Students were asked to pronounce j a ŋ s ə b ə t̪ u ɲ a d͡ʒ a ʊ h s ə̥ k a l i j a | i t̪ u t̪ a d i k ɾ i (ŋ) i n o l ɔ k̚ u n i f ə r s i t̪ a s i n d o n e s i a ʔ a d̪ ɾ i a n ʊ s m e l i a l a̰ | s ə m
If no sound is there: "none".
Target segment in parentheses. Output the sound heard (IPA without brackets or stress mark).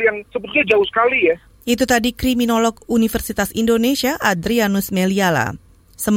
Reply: m